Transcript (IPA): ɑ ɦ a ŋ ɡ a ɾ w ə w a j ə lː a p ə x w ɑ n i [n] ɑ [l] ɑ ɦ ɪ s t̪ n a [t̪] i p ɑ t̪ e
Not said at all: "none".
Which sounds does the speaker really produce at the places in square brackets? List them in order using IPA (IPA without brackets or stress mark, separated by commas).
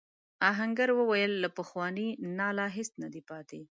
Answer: n, l, d̪